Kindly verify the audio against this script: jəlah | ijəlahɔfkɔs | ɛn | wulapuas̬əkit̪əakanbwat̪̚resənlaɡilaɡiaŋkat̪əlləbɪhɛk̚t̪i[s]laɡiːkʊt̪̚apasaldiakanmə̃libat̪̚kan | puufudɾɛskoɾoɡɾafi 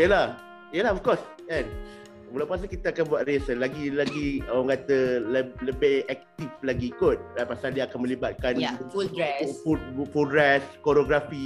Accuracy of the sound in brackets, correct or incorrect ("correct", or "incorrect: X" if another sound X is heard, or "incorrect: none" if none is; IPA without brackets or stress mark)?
incorrect: f